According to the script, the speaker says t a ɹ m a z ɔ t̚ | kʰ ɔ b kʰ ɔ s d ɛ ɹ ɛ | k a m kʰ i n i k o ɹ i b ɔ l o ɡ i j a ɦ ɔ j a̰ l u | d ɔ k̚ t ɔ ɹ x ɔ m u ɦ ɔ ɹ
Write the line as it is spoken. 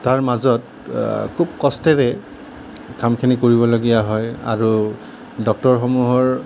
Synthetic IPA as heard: t a ɹ m a z ɔ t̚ | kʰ u b k ɔ s t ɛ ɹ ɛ | k a m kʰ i n i k o ɹ i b ɔ l o ɡ i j a ɦ ɔ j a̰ ɹ u | d ɔ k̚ t ɔ ɹ x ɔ m u ɦ ɔ ɹ